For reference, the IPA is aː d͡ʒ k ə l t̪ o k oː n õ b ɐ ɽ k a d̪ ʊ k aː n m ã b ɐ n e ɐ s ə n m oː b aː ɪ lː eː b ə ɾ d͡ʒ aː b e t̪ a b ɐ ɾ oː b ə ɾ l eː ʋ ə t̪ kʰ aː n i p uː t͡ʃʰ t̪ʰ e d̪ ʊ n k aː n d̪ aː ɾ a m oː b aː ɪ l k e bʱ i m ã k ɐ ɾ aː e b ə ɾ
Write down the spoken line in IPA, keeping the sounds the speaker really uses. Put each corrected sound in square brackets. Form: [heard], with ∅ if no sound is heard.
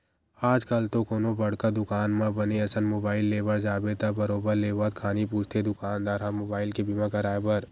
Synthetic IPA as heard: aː d͡ʒ k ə l t̪ o k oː n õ b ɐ ɽ k a d̪ ʊ k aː n m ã b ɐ n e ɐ s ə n m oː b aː ɪ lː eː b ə ɾ d͡ʒ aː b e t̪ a b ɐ ɾ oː b ə ɾ l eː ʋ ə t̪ kʰ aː n i p uː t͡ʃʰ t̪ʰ e d̪ ʊ [∅] k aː n d̪ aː ɾ a m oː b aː ɪ l k e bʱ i m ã k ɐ ɾ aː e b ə ɾ